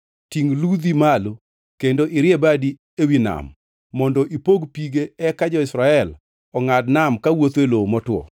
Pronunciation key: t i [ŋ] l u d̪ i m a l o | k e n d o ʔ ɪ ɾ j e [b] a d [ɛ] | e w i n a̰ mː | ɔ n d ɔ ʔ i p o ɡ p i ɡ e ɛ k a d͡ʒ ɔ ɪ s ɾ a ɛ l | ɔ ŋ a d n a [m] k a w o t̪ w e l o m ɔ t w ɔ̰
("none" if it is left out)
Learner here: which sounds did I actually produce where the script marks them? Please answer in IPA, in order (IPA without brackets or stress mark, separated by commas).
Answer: ŋ, b, i, m